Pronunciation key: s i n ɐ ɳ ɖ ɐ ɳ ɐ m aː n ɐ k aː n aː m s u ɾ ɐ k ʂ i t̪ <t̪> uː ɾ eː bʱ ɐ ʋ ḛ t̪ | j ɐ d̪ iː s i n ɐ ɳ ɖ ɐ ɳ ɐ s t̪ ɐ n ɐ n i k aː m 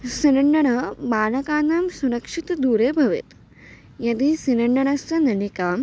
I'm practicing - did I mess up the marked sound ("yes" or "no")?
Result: yes